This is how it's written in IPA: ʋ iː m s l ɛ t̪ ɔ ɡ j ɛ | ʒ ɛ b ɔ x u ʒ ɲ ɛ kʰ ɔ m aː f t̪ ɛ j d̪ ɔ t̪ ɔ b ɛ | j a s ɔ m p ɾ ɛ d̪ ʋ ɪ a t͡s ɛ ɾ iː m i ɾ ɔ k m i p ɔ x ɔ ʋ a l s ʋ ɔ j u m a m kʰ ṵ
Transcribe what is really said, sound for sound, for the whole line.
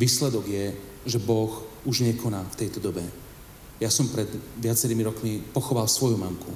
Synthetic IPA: ʋ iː s l ɛ d̪ ɔ ɡ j ɛ | ʒ ɛ b ɔ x u ʒ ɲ ɛ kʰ ɔ n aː f t̪ ɛ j t̪ ɔ d̪ ɔ b ɛ | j a s ɔ m p ɾ ɛ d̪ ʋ ɪ a t͡s ɛ ɾ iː m i ɾ ɔ k m i p ɔ x ɔ ʋ a l s ʋ ɔ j u m a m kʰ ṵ